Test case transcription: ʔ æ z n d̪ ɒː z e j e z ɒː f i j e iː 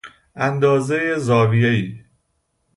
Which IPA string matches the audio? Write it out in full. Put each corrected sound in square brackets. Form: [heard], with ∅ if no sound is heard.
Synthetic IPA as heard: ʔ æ [∅] n d̪ ɒː z e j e z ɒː [v] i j e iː